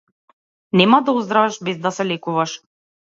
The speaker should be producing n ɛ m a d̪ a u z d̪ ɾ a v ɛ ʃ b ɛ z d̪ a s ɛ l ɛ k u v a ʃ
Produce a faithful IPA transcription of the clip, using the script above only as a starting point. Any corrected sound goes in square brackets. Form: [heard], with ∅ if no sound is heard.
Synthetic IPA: n ɛ m a d̪ a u z d̪ ɾ a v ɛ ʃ b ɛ z d̪ a s ɛ l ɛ k u v a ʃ